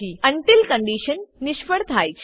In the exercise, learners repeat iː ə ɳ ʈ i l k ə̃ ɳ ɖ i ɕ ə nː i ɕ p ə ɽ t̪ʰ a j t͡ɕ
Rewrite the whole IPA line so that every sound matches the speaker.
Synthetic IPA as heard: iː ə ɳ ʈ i l k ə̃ ɳ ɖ i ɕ ə nː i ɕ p ə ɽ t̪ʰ a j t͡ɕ

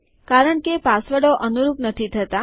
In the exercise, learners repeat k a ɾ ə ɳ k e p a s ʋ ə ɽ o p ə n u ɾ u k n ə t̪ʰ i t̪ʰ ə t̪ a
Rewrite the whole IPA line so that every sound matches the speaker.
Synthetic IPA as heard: k a ɾ ə ɳ k e p a s ʋ ə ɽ o ʔ ə n u ɾ u p n ə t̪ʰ i t̪ʰ ə t̪ a

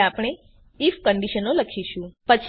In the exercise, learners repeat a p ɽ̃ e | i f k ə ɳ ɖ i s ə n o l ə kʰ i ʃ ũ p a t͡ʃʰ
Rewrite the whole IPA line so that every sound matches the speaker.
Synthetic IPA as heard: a p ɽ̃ e | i f k ə ɳ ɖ i ʃ ə n o l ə kʰ i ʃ ũ p ə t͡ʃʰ

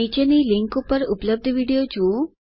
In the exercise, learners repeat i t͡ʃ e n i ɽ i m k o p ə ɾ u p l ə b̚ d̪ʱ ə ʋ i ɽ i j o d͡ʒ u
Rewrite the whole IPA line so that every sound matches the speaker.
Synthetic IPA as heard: i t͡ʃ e n i l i ŋ k u p ə ɾ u p l ə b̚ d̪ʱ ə ʋ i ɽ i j o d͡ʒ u

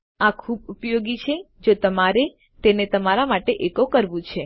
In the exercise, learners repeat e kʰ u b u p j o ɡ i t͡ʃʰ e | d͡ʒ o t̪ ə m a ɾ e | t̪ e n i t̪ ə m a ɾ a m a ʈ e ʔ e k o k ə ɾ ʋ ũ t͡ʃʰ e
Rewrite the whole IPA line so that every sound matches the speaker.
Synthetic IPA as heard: a kʰ u b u p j o ɡ i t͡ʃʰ e | d͡ʒ o t̪ ə m a ɾ e | t̪ e n e t̪ ə m a ɾ a m a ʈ e ʔ e k o k ə ɾ ʋ ũ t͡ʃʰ e

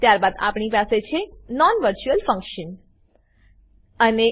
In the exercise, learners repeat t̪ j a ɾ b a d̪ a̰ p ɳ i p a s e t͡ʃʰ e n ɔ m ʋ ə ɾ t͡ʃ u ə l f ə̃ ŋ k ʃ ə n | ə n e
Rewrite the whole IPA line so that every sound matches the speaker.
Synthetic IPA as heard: t̪ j a ɾ b a d̪ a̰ p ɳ i p a s e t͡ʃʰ e n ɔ n ʋ ə ɾ t͡ʃ u ə l f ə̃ ŋ k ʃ ə n | ə n e

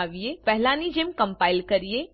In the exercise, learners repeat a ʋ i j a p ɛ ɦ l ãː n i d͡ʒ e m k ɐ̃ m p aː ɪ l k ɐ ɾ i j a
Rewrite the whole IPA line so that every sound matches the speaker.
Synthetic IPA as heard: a ʋ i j e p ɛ ɦ l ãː n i d͡ʒ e m k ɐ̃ m p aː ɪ l k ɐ ɾ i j e

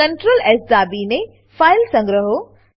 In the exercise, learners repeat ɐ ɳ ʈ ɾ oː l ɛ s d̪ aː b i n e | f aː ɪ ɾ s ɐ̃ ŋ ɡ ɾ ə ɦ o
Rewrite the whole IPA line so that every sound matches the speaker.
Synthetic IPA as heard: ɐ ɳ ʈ ɾ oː l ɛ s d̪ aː b i n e | f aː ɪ l s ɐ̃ ŋ ɡ ɾ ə ɦ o

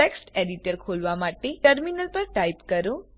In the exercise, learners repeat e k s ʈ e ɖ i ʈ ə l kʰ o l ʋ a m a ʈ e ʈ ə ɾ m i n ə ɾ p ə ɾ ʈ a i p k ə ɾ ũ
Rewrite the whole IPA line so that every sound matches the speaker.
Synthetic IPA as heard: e k s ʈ e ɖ i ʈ ə ɾ kʰ o l ʋ a m a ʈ e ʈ ə ɾ m i n ə l p ə ɾ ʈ a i p k ə ɾ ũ

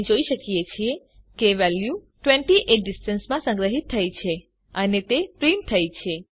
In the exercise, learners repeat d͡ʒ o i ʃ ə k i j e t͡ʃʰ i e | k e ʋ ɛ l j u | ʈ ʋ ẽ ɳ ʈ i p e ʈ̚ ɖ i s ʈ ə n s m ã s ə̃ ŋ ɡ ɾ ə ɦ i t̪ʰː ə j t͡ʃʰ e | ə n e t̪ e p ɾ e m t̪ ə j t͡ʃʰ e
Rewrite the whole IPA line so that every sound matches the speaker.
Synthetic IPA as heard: d͡ʒ o i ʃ ə k i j e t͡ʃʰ i e | k e ʋ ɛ l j u | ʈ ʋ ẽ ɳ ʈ i ʔ e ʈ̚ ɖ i s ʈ ə n s m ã s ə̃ ŋ ɡ ɾ ə ɦ i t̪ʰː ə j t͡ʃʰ e | ə n e t̪ e p ɾ i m t̪ʰ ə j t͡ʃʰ e

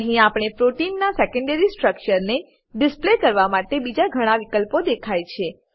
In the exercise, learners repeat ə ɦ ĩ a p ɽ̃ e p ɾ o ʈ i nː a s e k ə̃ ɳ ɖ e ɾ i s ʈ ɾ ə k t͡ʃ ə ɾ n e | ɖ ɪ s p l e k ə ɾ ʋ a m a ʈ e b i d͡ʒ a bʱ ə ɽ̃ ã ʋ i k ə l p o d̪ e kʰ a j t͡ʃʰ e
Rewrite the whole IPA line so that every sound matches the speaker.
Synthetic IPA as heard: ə ɦ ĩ a p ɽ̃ e p ɾ o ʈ i nː a s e k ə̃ ɳ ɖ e ɾ i s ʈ ɾ ə k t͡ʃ ə ɾ n e | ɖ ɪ s p l e k ə ɾ ʋ a m a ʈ e b i d͡ʒ a ɡʱ ə ɽ̃ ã ʋ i k ə l p o d̪ e kʰ a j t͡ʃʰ e

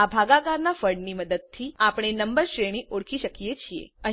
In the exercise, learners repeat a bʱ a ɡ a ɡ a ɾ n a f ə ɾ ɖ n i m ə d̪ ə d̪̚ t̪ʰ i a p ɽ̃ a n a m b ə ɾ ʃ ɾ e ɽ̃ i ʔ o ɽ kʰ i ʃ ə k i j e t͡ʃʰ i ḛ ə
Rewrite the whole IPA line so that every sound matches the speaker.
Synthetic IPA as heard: a bʱ a ɡ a ɡ a ɾ n a f ə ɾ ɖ n i m ə d̪ ə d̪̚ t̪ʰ i a p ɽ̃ e n ə m b ə ɾ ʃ ɾ e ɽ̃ i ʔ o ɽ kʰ i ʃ ə k i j e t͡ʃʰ i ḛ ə

